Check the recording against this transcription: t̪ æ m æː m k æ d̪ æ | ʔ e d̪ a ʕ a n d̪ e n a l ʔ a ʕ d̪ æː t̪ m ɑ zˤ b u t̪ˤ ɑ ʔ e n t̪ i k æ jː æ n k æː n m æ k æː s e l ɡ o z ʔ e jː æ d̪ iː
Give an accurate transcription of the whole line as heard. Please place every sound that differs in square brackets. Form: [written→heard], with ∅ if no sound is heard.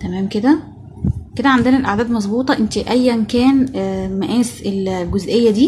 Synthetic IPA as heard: t̪ æ m æː m k [æ→e] d̪ æ | [ʔ→k] e d̪ [a→æ] ʕ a n d̪ e n [a→æ] l ʔ a ʕ d̪ æː [t̪→d̪] m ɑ zˤ b [u→uː] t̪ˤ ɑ ʔ e n t̪ i [k→ʔ] æ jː æ n k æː n m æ [k→ʔ] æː s e l ɡ o z ʔ e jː æ d̪ iː